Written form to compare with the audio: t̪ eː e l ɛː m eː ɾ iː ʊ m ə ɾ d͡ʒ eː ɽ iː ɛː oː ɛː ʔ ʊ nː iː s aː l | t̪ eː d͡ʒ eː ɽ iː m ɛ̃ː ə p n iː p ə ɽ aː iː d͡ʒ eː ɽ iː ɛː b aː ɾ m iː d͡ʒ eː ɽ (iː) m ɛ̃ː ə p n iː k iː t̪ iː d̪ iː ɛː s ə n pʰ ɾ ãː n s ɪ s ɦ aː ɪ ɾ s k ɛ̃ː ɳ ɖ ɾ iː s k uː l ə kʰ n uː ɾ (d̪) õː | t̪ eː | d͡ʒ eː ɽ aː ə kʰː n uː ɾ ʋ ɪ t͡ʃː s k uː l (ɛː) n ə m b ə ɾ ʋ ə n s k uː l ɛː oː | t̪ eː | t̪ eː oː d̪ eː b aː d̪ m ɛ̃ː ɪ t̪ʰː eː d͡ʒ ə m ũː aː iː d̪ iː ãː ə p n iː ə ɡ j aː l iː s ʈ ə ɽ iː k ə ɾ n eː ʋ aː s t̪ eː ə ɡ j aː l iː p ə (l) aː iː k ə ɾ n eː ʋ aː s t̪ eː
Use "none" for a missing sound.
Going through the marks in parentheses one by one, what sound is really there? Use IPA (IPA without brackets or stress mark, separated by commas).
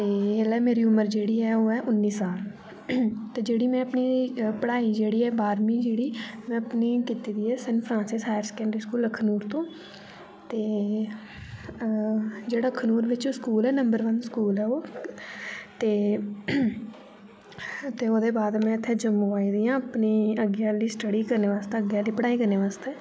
iː, t̪, ɛː, ɽ